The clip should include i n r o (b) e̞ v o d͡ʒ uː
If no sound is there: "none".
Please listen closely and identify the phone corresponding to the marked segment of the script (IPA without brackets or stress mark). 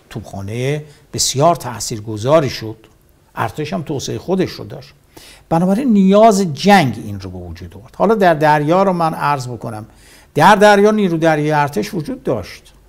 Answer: b